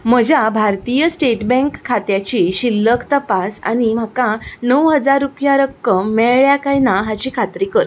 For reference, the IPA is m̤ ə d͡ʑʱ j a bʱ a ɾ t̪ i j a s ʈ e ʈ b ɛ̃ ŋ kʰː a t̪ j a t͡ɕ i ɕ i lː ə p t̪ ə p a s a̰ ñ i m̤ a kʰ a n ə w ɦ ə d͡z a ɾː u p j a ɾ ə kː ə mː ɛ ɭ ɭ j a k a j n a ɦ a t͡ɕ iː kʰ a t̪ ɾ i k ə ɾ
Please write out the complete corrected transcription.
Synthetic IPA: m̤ ə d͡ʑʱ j a bʱ a ɾ t̪ i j ə s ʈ e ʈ b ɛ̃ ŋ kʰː a t̪ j a t͡ɕ i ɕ i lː ə k t̪ ə p a s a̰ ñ i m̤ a k a n ə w ɦ ə d͡z a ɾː u p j a ɾ ə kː ə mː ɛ ɭ ɭ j a k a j n a ɦ a t͡ɕ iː kʰ a t̪ ɾ i k ə ɾ